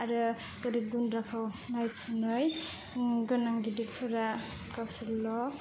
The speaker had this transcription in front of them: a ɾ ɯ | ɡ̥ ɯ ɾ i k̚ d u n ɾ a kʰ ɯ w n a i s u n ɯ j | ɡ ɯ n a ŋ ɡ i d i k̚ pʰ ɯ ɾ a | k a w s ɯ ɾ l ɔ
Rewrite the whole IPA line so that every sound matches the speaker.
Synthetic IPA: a ɾ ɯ | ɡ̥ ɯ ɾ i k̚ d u n ɾ a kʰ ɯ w n a j s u n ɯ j | ɡ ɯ n a ŋ ɡ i d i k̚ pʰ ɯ ɾ a | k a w s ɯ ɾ l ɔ